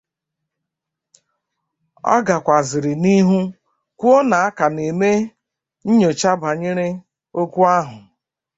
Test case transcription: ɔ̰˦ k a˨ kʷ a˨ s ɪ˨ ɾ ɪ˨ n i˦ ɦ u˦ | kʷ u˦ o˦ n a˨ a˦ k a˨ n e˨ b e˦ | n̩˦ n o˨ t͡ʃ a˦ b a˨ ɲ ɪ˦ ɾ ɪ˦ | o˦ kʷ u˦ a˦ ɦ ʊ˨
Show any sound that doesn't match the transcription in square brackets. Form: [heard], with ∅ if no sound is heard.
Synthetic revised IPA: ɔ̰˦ [ɡ] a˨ kʷ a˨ [z] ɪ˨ ɾ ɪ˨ n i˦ ɦ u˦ | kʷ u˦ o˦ n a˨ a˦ k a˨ n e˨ [m] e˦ | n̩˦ [ɲ] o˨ t͡ʃ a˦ b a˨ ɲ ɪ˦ ɾ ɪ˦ | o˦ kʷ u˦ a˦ ɦ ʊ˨

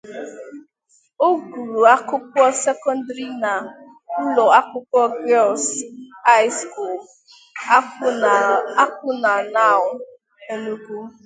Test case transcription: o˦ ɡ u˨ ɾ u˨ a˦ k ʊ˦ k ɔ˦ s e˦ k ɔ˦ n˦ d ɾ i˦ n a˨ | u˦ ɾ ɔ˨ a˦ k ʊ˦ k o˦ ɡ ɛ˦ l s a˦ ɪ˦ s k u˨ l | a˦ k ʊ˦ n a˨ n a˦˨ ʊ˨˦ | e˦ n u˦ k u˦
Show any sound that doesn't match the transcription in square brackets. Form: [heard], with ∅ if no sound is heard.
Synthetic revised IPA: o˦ ɡ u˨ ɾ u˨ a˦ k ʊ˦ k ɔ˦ s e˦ k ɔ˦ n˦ d ɾ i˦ n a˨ | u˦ [l] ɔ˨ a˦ k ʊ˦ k [ɔ˦] ɡ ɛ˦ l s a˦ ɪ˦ s k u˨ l | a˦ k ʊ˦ n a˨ n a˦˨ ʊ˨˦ | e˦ n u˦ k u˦

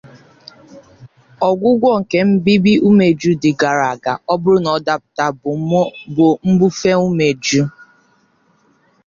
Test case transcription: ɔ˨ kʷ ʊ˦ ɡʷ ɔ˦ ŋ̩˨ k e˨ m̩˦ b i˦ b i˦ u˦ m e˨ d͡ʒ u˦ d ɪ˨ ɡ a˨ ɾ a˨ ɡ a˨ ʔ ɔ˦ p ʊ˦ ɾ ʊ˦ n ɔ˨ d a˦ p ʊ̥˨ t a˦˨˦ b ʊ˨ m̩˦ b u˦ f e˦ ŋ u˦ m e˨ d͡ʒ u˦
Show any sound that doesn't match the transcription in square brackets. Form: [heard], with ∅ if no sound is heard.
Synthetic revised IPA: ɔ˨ [ɡʷ] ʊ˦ ɡʷ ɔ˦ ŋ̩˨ k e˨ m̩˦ b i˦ b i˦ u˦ m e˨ d͡ʒ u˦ d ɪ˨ ɡ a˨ ɾ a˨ ɡ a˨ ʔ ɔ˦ [b] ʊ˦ ɾ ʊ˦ n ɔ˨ d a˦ p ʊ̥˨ t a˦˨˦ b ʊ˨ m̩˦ b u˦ f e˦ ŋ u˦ m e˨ d͡ʒ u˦

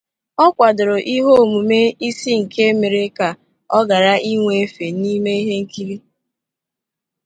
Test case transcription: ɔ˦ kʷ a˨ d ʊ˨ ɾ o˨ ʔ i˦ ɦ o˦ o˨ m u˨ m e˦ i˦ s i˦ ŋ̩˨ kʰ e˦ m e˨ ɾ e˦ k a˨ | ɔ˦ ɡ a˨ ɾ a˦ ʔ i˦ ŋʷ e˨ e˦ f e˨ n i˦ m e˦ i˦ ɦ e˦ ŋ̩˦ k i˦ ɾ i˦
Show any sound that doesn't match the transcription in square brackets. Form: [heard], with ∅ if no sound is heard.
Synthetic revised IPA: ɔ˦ kʷ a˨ d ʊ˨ ɾ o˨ ʔ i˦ ɦ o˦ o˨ m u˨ m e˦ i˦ s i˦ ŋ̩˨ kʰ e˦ m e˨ ɾ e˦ k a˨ | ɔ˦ ɡ a˨ ɾ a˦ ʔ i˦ ŋʷ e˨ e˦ f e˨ n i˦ m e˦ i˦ ɦ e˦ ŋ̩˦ k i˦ ɾ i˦

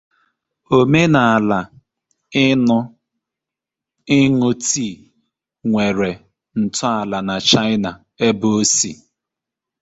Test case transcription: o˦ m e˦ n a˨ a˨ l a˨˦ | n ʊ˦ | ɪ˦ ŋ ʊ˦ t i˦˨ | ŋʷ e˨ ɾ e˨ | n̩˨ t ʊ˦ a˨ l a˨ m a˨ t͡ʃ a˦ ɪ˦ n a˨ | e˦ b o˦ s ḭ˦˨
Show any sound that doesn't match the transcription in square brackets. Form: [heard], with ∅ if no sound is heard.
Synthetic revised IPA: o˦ m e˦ n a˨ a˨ l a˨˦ | n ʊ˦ | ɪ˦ ŋ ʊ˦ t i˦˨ | ŋʷ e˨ ɾ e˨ | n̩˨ t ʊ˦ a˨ l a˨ [n] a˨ t͡ʃ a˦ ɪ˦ n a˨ | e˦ b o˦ s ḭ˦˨

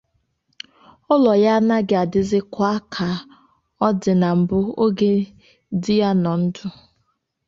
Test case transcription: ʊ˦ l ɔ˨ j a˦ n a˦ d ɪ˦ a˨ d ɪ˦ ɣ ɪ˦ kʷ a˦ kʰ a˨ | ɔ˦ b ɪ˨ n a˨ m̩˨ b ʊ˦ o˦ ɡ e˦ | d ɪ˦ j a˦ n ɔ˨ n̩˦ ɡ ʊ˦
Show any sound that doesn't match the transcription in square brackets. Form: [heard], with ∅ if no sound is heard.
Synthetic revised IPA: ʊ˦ l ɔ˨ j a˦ n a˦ [ɡ] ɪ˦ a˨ d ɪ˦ [z] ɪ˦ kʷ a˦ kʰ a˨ | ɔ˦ [d] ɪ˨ n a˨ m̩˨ b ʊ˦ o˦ ɡ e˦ | d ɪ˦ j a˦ n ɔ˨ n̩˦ [d] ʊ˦

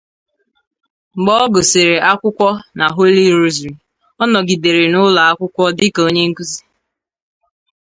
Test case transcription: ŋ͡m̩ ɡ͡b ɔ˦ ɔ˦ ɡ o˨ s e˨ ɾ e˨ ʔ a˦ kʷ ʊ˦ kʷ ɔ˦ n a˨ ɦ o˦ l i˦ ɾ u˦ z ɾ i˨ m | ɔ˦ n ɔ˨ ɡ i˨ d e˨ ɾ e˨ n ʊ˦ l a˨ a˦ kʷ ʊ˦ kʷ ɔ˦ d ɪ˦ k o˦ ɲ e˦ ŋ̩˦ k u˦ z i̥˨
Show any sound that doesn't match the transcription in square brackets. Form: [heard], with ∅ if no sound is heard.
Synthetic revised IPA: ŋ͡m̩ ɡ͡b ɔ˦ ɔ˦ ɡ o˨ s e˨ ɾ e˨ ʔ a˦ kʷ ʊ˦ kʷ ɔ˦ n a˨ ɦ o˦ l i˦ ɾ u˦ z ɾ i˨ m | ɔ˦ n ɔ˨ ɡ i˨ d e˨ ɾ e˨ n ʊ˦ l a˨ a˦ kʷ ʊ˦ kʷ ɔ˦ d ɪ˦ k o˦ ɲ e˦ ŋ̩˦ k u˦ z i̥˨

